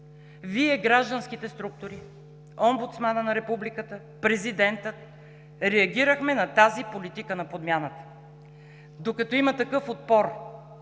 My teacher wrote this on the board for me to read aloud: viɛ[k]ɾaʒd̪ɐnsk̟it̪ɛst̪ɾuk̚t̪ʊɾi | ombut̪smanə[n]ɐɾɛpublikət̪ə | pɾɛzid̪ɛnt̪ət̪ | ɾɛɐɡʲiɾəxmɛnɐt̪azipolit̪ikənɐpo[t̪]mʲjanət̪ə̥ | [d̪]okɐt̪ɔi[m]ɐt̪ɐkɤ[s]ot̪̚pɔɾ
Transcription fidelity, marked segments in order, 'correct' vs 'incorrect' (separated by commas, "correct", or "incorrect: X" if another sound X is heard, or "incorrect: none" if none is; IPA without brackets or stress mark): incorrect: ɡ, correct, incorrect: d̪, correct, correct, incorrect: f